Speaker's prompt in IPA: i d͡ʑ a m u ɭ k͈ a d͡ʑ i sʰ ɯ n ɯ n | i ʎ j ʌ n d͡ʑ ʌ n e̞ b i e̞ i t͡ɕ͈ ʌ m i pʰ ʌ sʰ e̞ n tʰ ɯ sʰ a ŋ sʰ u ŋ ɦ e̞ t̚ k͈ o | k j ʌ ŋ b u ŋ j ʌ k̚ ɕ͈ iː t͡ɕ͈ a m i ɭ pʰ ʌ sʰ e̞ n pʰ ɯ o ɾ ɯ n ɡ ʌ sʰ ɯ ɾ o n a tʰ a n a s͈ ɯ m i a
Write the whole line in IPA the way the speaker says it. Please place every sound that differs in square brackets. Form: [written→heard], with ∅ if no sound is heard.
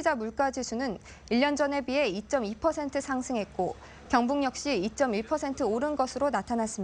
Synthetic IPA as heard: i d͡ʑ a m u ɭ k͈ a d͡ʑ i sʰ [ɯ→u] n ɯ n | i ʎ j ʌ n d͡ʑ ʌ n e̞ b i e̞ i t͡ɕ͈ ʌ m i pʰ ʌ sʰ e̞ n tʰ ɯ sʰ a ŋ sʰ [u→ɯ] ŋ ɦ e̞ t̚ k͈ o | k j ʌ ŋ b u ŋ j ʌ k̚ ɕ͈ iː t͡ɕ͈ [a→ʌ] m i ɭ pʰ ʌ sʰ e̞ n [pʰ→tʰ] ɯ o ɾ ɯ n ɡ ʌ sʰ ɯ ɾ o n a tʰ a n a s͈ ɯ m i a

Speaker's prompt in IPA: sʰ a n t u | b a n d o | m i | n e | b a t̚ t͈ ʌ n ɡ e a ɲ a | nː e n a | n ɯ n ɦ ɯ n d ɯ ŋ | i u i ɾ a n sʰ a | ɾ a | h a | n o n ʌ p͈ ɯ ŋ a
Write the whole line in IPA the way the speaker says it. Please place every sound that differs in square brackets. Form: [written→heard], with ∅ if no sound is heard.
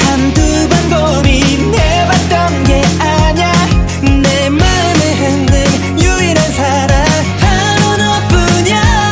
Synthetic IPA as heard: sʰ a n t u | b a n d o | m i | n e | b a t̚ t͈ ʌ n ɡ e a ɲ a | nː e [n→m] a | n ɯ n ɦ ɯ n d ɯ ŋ | [i→j] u i ɾ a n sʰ a | ɾ a | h a | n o n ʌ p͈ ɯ [ŋ→ɲ] a

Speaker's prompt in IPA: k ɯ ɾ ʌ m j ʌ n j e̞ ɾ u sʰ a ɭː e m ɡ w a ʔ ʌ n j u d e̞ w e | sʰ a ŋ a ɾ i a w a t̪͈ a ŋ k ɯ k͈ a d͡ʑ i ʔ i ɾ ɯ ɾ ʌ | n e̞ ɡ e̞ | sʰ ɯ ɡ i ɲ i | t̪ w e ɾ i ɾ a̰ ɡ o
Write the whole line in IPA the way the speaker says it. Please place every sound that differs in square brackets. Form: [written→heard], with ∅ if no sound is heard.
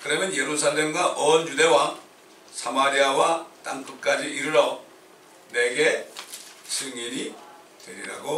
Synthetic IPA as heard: k ɯ ɾ ʌ m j ʌ n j e̞ ɾ u sʰ a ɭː e m ɡ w a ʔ ʌ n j u d e̞ w [e→a] | sʰ a [ŋ→m] a ɾ i a w a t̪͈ a ŋ k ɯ k͈ a d͡ʑ i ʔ i ɾ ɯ ɾ ʌ | n e̞ ɡ e̞ | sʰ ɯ [ɡ→ŋ] i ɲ i | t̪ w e ɾ i ɾ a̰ ɡ o

